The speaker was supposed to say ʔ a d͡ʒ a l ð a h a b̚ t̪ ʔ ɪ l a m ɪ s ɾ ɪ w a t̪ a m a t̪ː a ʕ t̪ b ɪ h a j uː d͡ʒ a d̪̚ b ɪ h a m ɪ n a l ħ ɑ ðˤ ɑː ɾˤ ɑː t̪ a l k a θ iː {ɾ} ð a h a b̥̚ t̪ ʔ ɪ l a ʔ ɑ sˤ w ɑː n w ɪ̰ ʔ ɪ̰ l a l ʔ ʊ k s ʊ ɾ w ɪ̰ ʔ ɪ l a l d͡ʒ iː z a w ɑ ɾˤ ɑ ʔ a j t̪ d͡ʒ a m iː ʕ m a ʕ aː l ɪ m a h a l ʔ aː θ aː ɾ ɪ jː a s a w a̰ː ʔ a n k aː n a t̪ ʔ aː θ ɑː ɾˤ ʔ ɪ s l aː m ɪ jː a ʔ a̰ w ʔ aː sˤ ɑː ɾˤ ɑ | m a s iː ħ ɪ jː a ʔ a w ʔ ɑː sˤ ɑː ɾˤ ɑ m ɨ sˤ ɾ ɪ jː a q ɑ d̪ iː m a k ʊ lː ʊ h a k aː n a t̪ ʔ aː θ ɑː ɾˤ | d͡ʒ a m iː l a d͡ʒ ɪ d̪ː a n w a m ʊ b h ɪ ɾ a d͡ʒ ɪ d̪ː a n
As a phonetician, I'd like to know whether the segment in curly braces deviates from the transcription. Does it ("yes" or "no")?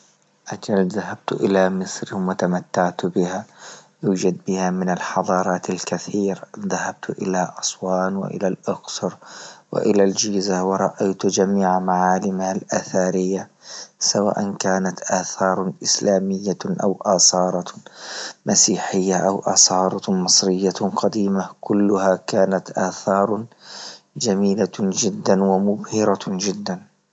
no